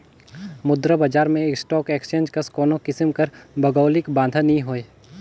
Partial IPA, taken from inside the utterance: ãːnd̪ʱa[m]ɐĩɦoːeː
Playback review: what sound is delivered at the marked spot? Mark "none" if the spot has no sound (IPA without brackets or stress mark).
n